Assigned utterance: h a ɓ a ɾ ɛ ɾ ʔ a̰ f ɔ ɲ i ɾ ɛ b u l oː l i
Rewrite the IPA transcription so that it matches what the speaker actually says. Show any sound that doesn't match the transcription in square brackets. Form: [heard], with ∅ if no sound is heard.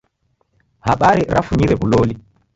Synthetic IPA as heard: h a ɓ a ɾ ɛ ɾ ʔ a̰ f [u] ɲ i ɾ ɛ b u l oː l i